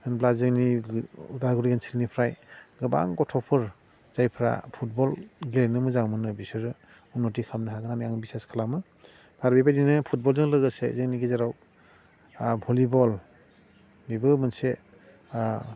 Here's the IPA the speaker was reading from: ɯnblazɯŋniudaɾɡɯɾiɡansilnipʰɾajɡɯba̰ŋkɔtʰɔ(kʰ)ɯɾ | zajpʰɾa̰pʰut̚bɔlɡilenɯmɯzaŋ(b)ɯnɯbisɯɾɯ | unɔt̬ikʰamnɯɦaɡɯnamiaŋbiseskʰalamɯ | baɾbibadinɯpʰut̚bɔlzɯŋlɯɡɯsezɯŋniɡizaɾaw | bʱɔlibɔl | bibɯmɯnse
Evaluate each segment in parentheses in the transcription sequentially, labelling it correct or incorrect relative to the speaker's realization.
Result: incorrect, incorrect

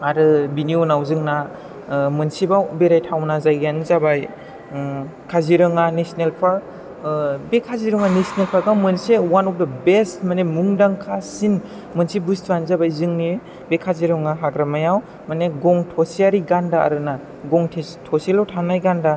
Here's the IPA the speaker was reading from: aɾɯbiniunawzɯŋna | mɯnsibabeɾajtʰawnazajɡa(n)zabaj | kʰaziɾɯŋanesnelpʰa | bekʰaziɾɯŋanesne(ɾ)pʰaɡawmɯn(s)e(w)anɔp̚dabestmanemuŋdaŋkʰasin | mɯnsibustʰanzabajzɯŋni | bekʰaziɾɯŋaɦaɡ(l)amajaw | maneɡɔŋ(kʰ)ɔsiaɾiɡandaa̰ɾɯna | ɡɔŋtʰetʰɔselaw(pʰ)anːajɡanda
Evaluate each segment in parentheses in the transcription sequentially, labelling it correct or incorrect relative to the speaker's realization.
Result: correct, incorrect, correct, correct, incorrect, incorrect, incorrect

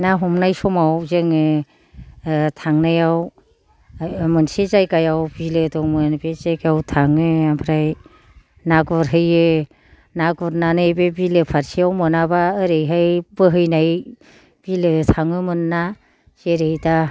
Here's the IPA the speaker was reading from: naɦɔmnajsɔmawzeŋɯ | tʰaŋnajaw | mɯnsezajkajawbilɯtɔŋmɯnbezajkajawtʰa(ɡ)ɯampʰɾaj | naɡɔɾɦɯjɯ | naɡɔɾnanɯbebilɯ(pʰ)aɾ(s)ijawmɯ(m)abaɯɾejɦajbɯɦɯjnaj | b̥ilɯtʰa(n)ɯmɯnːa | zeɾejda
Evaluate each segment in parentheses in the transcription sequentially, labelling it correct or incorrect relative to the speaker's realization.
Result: incorrect, correct, correct, incorrect, incorrect

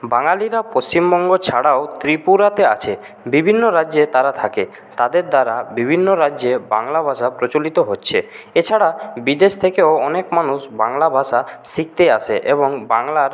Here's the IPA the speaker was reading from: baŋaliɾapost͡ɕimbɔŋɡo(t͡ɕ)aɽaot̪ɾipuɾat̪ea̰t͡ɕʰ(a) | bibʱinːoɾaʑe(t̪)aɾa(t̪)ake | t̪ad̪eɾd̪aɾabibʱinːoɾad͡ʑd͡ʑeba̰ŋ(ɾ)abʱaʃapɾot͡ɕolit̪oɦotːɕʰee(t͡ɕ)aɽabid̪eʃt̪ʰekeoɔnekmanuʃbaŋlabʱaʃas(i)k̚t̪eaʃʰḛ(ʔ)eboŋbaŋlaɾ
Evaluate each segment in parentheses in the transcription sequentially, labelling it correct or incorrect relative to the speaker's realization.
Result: incorrect, incorrect, correct, incorrect, incorrect, incorrect, correct, correct

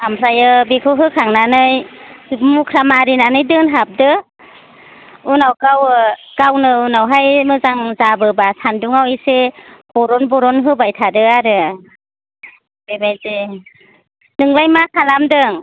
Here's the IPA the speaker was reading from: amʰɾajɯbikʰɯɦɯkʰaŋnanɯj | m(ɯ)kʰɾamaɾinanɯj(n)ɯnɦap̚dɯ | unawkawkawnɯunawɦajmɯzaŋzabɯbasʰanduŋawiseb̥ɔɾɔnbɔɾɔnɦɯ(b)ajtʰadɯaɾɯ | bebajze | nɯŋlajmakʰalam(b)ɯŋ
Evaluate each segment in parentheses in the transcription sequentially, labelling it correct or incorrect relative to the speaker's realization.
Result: incorrect, incorrect, correct, incorrect

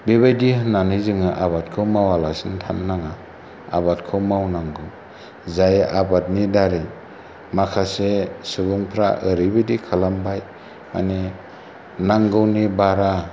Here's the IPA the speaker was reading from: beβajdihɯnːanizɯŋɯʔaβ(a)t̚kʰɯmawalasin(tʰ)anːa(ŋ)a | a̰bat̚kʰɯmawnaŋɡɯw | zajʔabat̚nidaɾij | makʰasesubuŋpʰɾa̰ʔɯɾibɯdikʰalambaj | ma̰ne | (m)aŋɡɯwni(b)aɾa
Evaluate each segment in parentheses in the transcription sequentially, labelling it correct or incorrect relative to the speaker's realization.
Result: correct, correct, correct, incorrect, correct

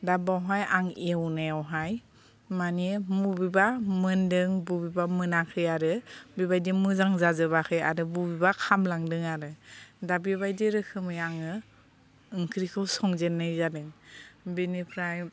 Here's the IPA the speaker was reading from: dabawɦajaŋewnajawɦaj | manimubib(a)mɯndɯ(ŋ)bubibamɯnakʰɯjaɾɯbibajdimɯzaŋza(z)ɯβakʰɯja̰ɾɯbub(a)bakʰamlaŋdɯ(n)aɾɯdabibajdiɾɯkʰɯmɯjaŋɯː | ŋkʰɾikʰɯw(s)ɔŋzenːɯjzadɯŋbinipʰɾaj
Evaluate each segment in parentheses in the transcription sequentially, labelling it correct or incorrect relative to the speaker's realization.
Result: correct, correct, correct, incorrect, incorrect, correct

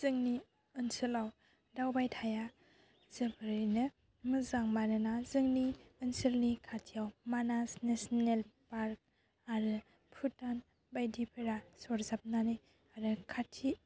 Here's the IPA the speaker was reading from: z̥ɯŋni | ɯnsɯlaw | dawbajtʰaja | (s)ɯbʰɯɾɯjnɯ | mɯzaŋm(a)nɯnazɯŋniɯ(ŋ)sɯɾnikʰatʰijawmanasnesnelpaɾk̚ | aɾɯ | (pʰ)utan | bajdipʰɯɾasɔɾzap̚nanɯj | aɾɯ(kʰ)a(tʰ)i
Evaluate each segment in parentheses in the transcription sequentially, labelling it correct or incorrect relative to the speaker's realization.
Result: incorrect, correct, incorrect, correct, correct, correct

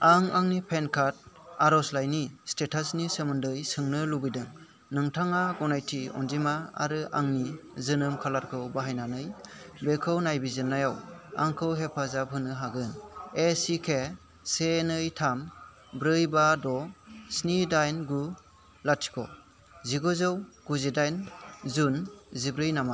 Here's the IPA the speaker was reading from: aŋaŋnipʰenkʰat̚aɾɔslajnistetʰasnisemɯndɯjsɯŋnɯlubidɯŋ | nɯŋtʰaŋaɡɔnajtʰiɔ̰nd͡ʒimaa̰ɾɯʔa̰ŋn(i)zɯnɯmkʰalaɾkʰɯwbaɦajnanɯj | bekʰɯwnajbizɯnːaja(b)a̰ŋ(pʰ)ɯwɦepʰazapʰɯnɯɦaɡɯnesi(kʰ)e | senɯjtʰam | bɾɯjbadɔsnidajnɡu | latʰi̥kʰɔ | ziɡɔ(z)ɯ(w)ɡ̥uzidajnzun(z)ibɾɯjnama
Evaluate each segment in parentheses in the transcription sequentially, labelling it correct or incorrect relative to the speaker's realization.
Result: correct, incorrect, incorrect, correct, correct, correct, correct

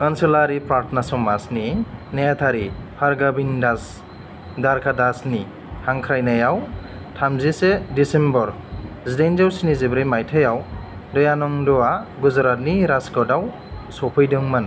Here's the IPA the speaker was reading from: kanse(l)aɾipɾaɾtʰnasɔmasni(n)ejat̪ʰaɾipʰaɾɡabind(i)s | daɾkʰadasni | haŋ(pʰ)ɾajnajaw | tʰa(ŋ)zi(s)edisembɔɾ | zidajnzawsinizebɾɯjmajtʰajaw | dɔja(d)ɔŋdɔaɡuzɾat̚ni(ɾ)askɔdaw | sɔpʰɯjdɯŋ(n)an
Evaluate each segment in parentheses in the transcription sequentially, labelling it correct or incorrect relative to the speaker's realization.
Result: correct, correct, incorrect, incorrect, incorrect, correct, incorrect, correct, incorrect

